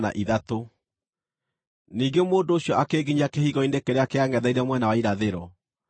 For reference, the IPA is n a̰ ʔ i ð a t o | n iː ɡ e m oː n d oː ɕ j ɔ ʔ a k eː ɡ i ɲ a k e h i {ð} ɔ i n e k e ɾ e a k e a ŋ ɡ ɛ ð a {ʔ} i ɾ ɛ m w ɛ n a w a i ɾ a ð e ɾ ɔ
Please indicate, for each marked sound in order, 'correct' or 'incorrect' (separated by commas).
incorrect, incorrect